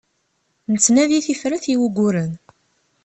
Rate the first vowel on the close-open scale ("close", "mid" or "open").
mid